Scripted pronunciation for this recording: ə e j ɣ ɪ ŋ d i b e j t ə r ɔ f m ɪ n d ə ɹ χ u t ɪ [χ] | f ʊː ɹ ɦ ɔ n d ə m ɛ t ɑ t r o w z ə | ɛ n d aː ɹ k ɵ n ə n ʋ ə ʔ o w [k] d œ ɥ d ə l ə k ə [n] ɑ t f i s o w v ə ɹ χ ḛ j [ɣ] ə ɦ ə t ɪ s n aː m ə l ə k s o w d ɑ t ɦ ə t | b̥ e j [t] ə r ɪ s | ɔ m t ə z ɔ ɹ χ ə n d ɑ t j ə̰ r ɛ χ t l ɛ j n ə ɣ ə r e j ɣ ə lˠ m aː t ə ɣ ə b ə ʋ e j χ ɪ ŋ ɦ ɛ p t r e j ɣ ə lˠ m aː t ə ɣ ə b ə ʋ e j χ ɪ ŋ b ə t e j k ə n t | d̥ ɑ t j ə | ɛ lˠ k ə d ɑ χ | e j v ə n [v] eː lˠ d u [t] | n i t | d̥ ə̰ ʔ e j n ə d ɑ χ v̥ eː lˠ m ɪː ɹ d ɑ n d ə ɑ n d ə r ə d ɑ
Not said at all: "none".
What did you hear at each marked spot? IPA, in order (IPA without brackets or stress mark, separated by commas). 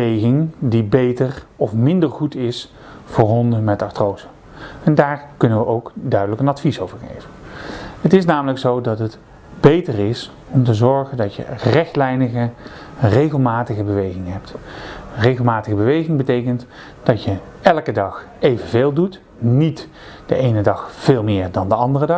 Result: s, k, n, v, t, v, t